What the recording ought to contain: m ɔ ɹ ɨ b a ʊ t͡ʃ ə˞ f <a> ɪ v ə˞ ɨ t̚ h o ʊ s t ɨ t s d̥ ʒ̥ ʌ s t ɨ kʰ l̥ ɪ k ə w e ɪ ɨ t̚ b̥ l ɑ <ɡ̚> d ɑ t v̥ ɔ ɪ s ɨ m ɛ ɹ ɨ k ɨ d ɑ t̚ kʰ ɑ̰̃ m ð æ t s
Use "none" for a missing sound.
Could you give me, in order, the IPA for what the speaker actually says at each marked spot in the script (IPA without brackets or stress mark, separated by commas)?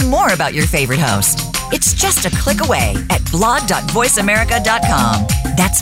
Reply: e, ɡ̚